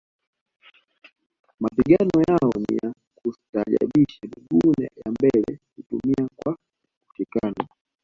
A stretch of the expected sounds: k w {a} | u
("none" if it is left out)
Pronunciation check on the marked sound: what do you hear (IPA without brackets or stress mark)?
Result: a